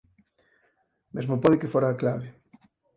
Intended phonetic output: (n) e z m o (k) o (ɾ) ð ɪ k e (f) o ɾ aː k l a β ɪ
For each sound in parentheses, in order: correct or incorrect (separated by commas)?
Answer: incorrect, incorrect, incorrect, correct